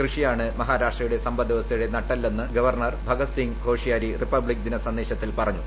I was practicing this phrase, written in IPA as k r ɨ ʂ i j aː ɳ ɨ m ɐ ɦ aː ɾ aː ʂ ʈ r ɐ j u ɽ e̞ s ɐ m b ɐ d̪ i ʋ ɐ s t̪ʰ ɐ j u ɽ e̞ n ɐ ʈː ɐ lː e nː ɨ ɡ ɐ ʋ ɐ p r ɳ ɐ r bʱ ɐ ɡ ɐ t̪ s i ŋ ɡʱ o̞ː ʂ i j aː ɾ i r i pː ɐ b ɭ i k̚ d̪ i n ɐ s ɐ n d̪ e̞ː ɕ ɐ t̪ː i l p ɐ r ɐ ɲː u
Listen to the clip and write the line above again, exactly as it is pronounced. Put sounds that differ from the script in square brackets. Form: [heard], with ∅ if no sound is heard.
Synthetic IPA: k r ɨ ʂ i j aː ɳ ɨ m ɐ ɦ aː ɾ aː ʂ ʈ r ɐ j u ɽ e̞ s ɐ m b ɐ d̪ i ʋ ɐ s t̪ʰ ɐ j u ɽ e̞ n ɐ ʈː ɐ lː e nː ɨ ɡ ɐ ʋ ɐ [∅] r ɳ ɐ r bʱ ɐ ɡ ɐ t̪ s i ŋ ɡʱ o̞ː ʂ i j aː ɾ i r i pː ɐ b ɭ i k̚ d̪ i n ɐ s ɐ n d̪ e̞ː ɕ ɐ t̪ː i l p ɐ r ɐ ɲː u